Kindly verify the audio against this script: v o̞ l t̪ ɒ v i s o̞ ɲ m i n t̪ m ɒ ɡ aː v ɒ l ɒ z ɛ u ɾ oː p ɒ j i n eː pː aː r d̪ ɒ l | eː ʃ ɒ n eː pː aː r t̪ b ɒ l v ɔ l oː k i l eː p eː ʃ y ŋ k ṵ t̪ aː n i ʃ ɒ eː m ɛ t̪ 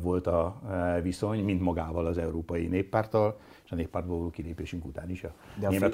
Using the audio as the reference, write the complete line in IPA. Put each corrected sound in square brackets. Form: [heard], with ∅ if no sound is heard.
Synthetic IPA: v o̞ l t̪ ɒ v i s o̞ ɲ m i n t̪ m ɒ ɡ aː v ɒ l ɒ z ɛ u ɾ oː p ɒ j i n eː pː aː r [t̪] ɒ l | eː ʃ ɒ n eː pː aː r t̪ b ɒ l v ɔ l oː k i l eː p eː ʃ y ŋ k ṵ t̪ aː n i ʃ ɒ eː m ɛ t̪